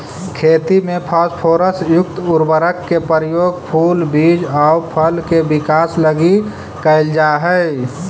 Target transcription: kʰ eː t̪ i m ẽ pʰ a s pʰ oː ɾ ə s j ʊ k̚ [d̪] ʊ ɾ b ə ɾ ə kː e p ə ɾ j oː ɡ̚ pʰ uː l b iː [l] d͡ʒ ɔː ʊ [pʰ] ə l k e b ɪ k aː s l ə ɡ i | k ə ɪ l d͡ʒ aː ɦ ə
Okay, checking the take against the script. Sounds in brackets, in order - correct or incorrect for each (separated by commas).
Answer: incorrect, incorrect, correct